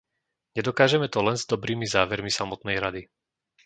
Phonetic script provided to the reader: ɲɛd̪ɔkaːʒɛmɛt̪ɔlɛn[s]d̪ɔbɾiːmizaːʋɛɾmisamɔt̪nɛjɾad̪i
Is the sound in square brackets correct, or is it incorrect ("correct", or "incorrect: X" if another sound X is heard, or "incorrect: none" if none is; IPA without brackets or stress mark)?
incorrect: z